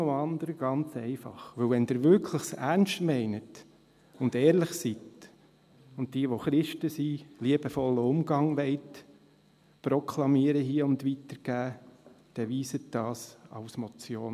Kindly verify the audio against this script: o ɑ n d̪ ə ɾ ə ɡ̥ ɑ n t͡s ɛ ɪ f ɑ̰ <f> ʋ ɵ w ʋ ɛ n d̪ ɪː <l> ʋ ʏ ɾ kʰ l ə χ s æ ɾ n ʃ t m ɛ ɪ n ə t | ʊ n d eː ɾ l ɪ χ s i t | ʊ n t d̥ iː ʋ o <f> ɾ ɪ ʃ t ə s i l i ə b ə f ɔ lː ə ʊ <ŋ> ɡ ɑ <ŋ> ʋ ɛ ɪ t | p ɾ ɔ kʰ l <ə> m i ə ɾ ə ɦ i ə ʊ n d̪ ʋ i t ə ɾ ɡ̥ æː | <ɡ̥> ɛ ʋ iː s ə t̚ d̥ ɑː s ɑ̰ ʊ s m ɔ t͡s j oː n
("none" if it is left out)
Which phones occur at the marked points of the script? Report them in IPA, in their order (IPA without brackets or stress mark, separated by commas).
χ, ɾ, χ, m, ŋ, ɑ, d̥